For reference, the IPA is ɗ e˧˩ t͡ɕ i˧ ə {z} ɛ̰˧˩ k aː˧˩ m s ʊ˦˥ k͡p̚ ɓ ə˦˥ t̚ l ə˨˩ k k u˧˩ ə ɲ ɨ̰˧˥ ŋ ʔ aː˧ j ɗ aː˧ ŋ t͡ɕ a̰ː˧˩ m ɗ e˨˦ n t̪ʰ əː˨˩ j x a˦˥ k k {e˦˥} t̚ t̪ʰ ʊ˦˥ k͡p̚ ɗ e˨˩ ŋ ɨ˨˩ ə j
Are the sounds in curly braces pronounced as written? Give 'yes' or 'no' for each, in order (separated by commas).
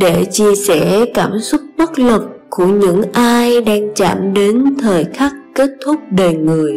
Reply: no, yes